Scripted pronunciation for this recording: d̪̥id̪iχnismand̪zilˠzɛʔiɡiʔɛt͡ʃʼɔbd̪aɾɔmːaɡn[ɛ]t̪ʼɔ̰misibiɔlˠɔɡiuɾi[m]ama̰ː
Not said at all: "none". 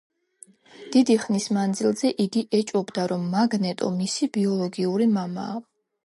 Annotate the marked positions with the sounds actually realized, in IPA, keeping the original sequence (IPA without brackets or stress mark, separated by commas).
ɛ, m